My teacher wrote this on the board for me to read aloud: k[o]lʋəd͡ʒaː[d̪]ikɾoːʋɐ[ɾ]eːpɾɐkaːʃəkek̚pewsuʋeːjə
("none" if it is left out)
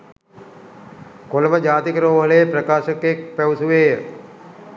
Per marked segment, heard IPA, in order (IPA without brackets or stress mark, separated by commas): o, t̪, l